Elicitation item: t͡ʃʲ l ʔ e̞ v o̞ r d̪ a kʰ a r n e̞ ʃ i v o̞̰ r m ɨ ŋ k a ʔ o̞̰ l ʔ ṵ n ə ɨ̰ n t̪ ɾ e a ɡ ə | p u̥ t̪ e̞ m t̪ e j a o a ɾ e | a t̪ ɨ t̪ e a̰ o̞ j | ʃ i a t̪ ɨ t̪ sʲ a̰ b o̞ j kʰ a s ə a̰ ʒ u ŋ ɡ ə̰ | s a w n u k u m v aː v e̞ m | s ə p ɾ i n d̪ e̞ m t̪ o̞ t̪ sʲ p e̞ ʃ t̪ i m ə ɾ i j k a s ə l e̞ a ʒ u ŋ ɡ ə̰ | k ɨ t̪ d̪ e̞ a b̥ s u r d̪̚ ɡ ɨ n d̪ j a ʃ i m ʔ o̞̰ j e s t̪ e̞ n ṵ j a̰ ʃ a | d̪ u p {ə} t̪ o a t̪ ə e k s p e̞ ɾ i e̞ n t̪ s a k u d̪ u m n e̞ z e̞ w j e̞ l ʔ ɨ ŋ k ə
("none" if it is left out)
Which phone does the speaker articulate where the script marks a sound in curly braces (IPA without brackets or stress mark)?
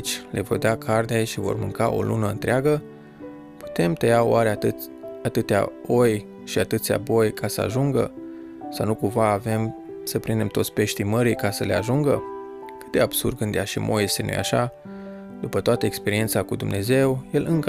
ə